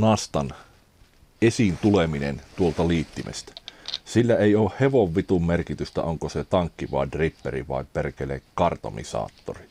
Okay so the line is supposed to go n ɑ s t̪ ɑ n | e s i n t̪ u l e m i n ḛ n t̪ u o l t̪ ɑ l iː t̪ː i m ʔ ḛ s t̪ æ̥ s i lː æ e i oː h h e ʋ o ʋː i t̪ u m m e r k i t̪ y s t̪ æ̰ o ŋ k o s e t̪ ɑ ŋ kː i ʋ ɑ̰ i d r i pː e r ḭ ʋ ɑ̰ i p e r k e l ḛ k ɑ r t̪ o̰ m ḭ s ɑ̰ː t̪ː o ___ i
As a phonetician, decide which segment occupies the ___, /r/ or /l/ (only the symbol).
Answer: r